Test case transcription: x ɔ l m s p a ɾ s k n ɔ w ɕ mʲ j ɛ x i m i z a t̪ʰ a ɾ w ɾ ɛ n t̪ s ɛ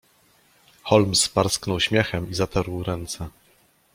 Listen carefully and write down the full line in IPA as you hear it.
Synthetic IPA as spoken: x ɔ l m s p a ɾ s k n ɔ w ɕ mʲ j ɛ x ɛ m i z a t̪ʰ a ɾ w ɾ ɛ n t̪ s ɛ